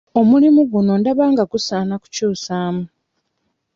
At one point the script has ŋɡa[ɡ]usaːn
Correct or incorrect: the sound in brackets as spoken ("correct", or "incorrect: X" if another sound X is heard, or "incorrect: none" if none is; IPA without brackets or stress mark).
correct